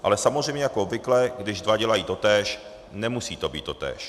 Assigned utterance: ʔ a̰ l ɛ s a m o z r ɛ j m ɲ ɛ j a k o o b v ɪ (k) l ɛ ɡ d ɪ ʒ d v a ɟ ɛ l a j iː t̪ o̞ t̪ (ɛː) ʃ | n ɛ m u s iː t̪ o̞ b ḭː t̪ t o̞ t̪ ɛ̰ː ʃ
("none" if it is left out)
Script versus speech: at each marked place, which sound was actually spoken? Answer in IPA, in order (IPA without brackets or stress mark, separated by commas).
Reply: k, ɛː